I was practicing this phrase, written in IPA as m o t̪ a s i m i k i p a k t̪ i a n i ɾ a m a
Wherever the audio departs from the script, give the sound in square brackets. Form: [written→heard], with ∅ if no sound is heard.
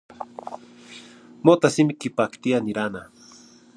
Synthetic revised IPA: m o t̪ a s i m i k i p a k t̪ i a n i ɾ a [m→n] a